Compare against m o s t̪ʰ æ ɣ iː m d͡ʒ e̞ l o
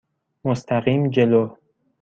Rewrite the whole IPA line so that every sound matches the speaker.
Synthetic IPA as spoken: m o s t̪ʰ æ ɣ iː m d͡ʒ e̞ l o